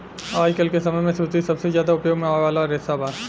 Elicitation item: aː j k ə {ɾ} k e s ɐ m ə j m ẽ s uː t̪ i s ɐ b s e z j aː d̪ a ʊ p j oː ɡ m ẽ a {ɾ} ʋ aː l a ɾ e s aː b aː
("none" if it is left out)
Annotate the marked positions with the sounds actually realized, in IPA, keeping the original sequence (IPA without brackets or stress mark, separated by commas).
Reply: l, none